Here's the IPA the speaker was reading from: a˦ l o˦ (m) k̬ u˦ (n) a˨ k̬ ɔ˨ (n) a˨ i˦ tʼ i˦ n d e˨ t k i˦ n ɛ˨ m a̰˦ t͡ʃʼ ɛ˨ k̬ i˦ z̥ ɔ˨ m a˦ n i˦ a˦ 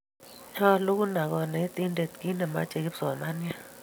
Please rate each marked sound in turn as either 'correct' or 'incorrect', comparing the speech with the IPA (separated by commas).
incorrect, correct, correct